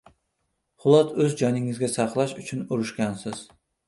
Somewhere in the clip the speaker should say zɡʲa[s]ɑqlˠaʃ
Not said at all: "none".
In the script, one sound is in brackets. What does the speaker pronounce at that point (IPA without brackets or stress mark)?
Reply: s